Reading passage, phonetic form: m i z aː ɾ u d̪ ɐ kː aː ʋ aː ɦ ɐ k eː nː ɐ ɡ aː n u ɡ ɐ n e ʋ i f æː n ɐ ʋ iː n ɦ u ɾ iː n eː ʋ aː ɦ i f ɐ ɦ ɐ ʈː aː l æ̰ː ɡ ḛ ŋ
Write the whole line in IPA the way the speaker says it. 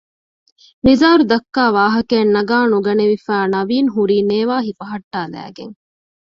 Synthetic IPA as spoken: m i z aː ɾ u d̪ ɐ kː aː ʋ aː ɦ ɐ k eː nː ɐ ɡ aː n u ɡ ɐ n e ʋ i f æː n ɐ ʋ iː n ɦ u ɾ iː n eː ʋ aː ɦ i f ɐ ɦ ɐ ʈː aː l æ̰ː ɡ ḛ ŋ